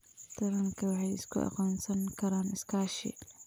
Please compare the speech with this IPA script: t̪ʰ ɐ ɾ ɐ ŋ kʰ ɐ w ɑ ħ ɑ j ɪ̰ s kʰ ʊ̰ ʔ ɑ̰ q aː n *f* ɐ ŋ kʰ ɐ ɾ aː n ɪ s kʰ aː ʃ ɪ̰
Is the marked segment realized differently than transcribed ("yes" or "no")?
yes